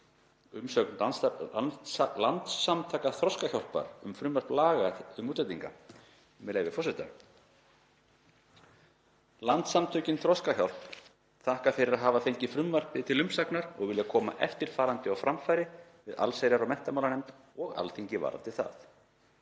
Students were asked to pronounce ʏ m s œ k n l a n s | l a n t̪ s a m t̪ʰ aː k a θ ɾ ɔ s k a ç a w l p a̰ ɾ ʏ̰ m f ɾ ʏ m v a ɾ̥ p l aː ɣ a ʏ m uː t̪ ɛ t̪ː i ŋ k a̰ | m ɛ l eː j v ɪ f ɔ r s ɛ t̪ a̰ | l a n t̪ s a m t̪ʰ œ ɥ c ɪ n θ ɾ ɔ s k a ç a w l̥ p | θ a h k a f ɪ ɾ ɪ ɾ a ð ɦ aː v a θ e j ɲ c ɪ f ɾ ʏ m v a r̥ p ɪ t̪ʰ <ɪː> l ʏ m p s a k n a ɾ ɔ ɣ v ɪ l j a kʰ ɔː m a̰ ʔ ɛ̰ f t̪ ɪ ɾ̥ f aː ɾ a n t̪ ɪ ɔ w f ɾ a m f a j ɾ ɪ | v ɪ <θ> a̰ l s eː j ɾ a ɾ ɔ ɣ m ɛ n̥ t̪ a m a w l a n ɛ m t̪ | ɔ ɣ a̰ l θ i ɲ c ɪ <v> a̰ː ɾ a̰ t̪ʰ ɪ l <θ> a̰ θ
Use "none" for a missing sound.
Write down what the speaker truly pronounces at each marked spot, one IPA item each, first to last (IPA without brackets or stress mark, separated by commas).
ɪ, ð, v, θ